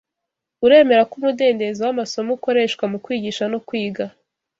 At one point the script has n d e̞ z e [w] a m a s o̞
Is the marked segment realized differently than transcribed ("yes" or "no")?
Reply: no